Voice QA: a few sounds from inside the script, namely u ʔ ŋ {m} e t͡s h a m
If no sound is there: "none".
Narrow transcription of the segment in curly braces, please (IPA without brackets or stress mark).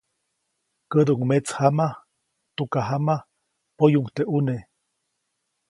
m